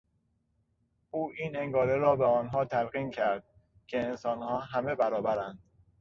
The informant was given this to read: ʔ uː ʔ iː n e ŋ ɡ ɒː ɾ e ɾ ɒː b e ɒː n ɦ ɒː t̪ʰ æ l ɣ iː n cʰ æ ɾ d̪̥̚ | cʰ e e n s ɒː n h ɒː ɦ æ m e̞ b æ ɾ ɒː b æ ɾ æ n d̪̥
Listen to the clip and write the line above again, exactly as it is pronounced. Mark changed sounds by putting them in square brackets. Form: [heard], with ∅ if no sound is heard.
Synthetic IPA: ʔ uː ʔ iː n e ŋ ɡ ɒː ɾ e ɾ ɒː b e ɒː n ɦ ɒː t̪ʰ æ l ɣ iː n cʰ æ ɾ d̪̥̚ | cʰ e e n s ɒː n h ɒː ɦ æ m e̞ b æ ɾ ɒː b æ ɾ æ n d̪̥